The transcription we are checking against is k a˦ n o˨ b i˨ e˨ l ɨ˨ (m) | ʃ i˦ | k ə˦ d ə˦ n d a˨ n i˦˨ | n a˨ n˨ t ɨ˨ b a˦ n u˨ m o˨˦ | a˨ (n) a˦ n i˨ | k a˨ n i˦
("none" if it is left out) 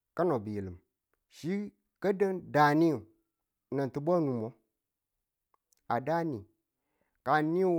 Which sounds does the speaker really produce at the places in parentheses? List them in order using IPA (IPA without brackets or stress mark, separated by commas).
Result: m, d